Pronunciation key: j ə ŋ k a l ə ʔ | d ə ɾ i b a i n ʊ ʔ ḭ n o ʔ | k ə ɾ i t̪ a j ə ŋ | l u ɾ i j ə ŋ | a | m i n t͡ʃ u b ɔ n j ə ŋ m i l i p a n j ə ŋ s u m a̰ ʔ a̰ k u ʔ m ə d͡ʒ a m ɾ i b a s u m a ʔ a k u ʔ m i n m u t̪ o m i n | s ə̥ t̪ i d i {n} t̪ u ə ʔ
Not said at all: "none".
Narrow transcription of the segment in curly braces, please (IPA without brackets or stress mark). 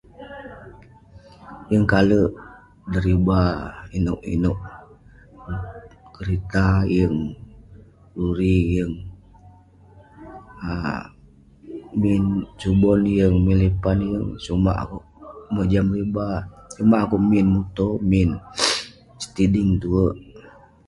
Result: ŋ